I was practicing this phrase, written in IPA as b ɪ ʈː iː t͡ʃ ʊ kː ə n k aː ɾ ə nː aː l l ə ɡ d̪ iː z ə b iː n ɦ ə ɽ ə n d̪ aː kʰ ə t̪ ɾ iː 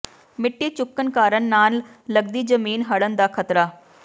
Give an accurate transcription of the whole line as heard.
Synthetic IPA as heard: m ɪ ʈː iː t͡ʃ ʊ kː ə n k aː ɾ ə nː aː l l ə ɡ d̪ iː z ə m iː n ɦ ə ɽ ə n d̪ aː kʰ ə t̪ ɾ aː